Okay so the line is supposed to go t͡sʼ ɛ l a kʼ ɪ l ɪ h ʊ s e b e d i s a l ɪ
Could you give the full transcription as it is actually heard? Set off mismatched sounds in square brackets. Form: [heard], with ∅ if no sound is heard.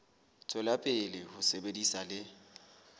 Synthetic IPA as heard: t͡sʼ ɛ l a [pʼ] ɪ l ɪ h ʊ s e b e d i s a l ɪ